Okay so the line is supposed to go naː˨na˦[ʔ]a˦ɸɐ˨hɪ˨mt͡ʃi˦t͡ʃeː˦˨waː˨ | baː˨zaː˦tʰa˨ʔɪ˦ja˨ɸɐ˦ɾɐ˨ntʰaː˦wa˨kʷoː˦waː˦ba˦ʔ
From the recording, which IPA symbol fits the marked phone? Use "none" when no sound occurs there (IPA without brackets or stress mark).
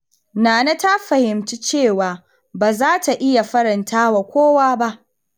t